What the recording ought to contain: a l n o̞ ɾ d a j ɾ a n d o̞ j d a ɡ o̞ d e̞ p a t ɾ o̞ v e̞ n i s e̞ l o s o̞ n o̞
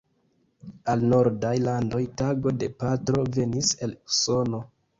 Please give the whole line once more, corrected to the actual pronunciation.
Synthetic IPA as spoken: a l n o̞ ɾ d a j l a n d o̞ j t a ɡ o̞ d e̞ p a t ɾ o̞ v e̞ n i s e̞ l u s o̞ n o̞